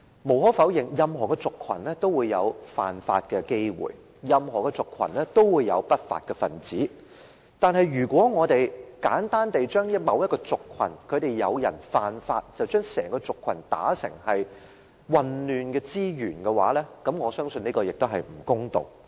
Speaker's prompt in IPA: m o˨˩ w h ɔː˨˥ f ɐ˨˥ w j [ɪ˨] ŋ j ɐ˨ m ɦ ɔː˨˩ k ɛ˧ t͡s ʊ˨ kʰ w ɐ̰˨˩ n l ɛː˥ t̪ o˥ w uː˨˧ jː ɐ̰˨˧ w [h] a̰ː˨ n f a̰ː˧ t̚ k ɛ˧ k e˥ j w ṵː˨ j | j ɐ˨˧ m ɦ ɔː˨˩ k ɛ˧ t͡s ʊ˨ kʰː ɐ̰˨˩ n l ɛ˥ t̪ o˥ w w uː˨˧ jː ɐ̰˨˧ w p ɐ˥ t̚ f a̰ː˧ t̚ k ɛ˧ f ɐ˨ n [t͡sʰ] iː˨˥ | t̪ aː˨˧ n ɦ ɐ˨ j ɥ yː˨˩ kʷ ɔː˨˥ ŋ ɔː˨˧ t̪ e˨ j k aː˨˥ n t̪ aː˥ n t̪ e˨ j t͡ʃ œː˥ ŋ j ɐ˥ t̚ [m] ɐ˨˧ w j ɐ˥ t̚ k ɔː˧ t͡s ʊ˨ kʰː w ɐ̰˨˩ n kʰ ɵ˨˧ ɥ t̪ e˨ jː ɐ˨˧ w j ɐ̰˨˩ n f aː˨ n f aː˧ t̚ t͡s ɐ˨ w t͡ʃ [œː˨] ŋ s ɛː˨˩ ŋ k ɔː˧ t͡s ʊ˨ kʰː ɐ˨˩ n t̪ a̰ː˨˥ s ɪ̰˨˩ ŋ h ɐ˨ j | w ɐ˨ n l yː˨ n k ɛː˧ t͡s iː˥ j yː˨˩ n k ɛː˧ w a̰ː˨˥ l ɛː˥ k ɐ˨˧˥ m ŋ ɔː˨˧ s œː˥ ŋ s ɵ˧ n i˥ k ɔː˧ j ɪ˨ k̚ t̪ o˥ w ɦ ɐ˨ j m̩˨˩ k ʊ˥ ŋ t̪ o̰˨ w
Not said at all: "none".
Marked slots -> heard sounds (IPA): ɪ˨, f, t͡s, m, œː˥

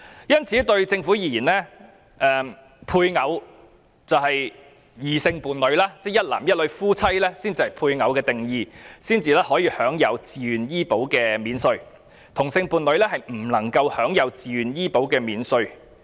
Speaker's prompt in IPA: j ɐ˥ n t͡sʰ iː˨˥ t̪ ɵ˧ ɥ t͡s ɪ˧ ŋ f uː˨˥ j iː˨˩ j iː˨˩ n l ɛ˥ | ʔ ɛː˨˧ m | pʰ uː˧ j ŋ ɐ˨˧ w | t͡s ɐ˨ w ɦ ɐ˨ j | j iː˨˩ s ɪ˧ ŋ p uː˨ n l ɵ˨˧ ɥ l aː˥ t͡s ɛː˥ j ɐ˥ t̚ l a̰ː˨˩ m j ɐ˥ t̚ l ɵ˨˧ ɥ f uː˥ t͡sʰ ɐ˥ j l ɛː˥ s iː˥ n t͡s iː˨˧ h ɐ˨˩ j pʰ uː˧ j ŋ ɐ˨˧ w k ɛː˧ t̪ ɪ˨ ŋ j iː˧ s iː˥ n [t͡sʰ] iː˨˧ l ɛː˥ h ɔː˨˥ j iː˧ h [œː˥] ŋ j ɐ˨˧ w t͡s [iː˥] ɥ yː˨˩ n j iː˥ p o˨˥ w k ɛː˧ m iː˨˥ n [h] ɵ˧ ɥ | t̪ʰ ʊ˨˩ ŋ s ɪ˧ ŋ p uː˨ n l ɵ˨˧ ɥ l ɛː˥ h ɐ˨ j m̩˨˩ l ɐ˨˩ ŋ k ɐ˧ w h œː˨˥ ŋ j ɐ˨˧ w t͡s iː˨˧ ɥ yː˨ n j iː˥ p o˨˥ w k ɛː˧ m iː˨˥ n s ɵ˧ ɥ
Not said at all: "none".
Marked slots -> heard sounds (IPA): t͡s, œː˨˥, iː˨, s

